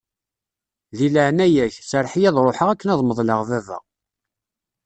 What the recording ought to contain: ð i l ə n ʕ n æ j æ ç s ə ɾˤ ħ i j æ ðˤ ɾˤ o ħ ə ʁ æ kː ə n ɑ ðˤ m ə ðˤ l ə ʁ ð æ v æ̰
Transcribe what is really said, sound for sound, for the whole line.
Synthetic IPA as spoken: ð i l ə ʕ n æ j æ ç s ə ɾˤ ħ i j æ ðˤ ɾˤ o ħ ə ʁ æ kː ə n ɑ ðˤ m ə ðˤ l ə ʁ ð æ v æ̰